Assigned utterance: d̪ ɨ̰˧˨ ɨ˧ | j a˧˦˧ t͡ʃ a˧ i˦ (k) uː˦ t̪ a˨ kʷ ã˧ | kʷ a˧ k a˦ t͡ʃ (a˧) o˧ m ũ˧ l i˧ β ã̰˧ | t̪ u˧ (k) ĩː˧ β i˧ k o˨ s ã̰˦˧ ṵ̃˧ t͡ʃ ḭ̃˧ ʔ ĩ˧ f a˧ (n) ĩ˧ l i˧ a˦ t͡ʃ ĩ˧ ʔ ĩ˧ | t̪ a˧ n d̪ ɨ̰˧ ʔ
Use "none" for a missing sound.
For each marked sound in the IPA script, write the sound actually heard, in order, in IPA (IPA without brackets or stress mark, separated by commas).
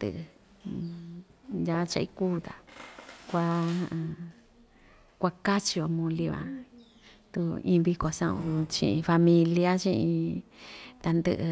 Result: k, i˧, none, m